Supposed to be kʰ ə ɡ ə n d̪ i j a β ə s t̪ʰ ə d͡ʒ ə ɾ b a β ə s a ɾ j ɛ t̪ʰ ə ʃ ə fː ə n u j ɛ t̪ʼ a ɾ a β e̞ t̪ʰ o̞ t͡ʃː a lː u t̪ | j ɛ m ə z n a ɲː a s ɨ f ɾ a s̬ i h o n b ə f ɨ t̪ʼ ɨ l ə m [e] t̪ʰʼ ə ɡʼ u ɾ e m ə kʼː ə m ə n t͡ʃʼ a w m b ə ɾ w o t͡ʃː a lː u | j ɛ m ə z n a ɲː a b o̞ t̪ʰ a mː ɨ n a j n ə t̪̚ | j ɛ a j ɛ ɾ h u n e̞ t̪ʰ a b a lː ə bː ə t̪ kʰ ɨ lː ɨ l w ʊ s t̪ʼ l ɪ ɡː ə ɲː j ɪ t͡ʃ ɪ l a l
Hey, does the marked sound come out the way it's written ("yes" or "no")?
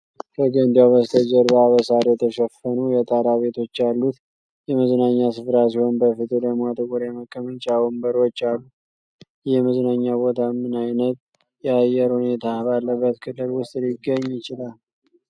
no